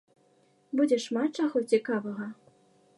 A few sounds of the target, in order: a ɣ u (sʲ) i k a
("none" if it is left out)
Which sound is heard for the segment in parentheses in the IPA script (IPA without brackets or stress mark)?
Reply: t͡sʲ